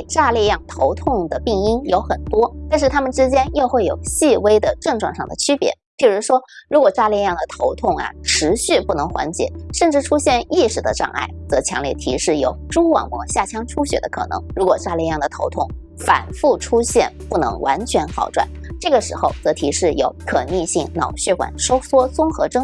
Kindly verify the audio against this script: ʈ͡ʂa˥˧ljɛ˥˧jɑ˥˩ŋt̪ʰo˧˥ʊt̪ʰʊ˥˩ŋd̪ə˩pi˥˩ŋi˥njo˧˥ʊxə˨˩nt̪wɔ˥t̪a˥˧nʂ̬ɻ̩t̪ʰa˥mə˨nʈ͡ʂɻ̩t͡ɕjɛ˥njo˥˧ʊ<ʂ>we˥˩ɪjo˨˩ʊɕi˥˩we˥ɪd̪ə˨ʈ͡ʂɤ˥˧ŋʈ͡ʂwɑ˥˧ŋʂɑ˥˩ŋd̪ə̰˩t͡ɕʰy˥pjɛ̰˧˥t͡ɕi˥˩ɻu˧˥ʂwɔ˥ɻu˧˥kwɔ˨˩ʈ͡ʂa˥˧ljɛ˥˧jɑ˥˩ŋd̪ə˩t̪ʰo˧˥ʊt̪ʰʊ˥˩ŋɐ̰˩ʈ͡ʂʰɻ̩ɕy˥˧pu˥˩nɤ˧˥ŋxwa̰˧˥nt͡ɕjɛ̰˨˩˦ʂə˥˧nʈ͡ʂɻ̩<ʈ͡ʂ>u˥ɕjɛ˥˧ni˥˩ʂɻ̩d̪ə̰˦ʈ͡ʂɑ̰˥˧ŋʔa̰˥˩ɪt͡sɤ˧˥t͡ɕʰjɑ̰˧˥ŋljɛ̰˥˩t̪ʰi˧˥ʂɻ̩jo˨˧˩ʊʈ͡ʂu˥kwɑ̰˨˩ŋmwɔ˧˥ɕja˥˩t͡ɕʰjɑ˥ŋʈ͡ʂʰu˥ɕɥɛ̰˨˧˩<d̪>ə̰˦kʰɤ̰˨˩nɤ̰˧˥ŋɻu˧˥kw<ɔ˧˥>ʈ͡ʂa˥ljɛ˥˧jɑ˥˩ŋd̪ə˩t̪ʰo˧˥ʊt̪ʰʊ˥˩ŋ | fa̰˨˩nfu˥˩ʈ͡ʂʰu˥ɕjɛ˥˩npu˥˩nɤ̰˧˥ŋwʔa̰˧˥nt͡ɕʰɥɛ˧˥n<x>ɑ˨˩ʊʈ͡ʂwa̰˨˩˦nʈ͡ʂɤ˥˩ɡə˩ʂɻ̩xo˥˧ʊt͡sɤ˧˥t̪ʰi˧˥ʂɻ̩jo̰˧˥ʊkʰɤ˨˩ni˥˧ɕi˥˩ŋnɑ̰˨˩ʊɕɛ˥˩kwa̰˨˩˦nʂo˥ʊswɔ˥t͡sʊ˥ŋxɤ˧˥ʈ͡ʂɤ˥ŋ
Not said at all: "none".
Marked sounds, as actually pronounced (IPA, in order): x, ʈ͡ʂʰ, d̪, ɔ˨˩, x

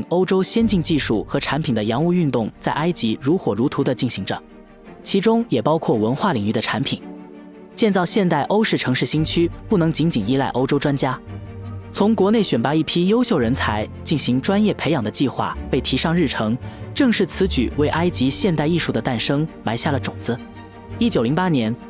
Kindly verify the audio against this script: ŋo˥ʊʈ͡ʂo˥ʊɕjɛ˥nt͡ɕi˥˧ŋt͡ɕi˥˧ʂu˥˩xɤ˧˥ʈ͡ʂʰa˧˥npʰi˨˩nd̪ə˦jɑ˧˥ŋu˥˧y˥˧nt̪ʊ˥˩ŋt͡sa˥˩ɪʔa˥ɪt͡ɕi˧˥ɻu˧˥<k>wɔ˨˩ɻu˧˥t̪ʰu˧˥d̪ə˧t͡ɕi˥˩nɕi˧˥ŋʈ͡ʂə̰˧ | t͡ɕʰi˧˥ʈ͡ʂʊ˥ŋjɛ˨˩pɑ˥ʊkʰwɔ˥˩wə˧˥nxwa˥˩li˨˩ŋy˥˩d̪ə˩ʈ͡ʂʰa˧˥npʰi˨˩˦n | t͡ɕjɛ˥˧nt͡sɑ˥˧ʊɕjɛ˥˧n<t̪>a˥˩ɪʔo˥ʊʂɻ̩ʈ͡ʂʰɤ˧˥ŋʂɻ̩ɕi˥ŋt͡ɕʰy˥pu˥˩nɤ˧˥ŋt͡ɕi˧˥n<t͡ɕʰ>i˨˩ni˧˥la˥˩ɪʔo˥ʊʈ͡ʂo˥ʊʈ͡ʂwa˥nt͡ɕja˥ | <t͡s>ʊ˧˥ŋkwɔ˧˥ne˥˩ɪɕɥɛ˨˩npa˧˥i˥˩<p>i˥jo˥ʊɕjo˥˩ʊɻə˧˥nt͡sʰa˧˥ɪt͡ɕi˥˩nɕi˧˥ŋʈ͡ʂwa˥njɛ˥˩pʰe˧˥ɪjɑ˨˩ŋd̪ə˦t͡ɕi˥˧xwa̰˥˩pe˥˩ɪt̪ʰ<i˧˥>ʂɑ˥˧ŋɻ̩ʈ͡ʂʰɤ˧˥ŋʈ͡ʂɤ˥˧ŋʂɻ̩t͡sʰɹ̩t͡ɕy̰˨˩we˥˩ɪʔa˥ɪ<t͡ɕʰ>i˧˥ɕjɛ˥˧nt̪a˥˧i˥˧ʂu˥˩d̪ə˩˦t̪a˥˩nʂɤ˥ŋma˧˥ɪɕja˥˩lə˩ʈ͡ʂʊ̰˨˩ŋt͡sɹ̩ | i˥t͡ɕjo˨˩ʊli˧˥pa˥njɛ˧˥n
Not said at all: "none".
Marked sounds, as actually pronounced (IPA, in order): x, t̪, t͡ɕ, t͡sʰ, pʰ, i˧˥, t͡ɕ

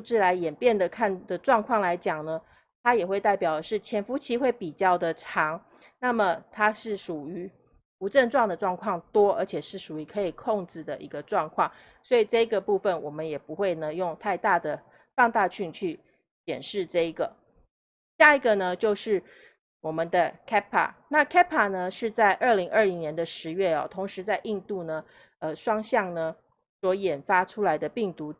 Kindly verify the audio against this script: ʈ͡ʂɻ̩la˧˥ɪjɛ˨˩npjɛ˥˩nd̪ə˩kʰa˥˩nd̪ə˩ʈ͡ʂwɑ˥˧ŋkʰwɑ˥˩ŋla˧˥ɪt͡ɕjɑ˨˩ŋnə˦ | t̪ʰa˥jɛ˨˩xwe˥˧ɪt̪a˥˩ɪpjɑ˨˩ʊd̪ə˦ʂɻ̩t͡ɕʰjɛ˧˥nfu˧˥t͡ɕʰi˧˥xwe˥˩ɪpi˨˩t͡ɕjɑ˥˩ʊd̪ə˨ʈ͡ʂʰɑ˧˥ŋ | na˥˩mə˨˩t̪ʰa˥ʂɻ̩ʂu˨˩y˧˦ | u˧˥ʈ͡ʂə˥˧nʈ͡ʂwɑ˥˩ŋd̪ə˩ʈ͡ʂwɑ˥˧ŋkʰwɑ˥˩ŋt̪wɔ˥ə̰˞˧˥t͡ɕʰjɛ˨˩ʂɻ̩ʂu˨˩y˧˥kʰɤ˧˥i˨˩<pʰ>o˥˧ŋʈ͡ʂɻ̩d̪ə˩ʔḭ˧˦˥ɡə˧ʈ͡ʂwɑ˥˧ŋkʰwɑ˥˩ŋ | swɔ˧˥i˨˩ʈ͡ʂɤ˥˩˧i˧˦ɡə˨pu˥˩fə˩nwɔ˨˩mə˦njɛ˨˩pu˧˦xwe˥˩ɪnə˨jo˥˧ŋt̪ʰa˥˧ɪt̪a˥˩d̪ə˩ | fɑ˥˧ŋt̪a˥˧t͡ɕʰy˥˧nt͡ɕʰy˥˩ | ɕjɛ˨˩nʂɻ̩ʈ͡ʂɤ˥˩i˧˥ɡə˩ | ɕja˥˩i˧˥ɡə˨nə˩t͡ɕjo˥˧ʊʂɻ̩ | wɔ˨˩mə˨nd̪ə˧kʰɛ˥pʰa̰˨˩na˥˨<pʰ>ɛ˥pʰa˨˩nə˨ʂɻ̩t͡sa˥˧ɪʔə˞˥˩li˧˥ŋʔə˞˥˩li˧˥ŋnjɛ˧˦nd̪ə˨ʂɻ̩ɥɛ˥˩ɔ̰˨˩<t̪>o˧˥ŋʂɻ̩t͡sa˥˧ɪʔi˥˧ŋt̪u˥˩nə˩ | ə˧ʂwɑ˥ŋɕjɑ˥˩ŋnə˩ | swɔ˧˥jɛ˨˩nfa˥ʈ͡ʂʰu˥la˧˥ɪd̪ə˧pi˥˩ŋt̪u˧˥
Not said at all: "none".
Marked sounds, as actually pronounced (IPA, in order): kʰ, kʰ, t̪ʰ

